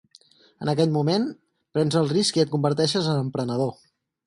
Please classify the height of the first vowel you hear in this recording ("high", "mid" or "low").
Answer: mid